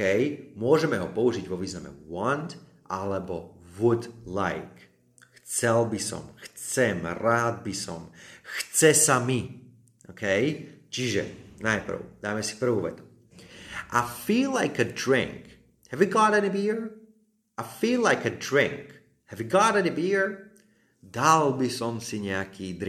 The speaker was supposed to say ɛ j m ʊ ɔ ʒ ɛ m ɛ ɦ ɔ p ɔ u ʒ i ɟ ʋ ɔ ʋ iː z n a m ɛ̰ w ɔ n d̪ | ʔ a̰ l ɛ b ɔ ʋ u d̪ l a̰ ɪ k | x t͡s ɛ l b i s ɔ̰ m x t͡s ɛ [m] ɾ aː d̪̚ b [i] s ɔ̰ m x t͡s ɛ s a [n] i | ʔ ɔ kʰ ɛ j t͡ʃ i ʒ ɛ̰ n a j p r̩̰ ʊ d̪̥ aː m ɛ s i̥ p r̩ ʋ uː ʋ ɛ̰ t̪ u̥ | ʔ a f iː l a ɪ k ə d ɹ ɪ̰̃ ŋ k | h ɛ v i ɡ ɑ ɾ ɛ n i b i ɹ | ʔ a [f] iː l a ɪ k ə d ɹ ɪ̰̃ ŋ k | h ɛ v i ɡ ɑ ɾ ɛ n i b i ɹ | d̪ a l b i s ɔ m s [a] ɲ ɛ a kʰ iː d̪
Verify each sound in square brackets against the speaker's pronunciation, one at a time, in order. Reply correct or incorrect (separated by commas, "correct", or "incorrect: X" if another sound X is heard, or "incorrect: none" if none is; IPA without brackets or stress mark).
correct, correct, incorrect: m, correct, incorrect: i